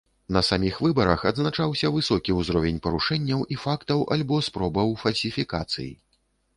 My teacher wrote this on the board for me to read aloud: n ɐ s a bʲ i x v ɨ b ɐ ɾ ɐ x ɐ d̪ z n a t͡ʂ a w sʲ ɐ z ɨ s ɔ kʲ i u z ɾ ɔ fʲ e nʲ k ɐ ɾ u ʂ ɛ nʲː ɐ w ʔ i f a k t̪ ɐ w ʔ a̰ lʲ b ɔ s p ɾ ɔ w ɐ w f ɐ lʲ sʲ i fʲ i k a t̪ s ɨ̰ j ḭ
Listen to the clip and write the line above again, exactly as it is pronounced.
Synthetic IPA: n ɐ s a mʲ i x v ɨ b ɐ ɾ ɐ x ɐ d̪ z n a t͡ʂ a w sʲ ɐ v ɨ s ɔ kʲ i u z ɾ ɔ vʲ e nʲ p ɐ ɾ u ʂ ɛ nʲː ɐ w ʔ i f a k t̪ ɐ w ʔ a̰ lʲ b ɔ s p ɾ ɔ b ɐ w f ɐ lʲ sʲ i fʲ i k a t̪ s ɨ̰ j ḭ